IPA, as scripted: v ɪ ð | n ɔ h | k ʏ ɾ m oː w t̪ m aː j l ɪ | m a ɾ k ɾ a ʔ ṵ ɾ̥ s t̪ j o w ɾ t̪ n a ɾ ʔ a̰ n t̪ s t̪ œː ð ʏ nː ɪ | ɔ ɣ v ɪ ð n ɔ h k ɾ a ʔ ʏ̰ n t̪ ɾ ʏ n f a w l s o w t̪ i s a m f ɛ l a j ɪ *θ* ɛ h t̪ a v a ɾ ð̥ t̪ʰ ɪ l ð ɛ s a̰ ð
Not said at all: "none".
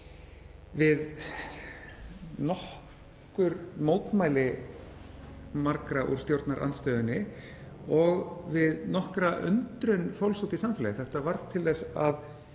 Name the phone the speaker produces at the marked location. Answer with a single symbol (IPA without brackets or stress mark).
θ